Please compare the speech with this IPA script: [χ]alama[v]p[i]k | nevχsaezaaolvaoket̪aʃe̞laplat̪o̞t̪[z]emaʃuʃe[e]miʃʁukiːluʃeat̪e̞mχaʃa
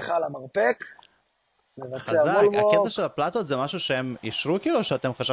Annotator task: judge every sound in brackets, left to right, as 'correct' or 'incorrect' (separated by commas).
correct, incorrect, incorrect, correct, correct